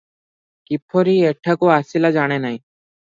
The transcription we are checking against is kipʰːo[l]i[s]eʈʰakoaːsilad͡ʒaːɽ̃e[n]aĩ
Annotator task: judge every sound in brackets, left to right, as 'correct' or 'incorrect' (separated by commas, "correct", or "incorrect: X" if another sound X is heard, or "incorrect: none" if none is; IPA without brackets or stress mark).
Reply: incorrect: ɾ, incorrect: none, correct